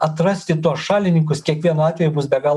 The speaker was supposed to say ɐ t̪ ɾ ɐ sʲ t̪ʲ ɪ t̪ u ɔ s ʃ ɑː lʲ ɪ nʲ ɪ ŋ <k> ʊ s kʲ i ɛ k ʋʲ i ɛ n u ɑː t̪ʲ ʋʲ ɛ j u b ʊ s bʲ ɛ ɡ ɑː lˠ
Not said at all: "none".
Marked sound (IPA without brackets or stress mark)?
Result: k